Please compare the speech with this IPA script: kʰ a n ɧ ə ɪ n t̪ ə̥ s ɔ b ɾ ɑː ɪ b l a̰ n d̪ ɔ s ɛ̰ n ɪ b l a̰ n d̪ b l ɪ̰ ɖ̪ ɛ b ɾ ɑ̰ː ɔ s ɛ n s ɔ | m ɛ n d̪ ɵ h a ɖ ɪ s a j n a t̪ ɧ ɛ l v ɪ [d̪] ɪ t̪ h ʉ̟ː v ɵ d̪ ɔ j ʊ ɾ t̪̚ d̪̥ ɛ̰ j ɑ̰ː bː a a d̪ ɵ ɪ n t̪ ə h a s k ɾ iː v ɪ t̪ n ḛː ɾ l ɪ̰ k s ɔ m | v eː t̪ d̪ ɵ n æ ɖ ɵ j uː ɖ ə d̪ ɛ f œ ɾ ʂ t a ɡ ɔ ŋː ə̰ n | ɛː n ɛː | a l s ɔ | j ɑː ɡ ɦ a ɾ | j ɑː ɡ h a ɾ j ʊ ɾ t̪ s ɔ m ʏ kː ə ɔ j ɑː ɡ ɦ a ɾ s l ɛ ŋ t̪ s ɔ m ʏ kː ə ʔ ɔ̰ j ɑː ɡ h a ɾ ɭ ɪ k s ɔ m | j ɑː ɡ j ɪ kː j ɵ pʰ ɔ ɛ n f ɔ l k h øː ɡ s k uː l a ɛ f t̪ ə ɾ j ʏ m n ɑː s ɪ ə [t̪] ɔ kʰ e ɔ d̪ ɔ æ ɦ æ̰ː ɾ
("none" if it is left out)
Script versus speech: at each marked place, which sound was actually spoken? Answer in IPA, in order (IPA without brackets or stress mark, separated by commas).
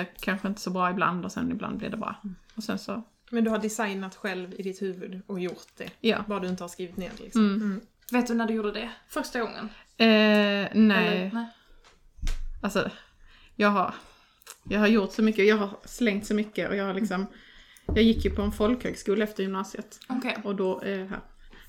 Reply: d̪, t̪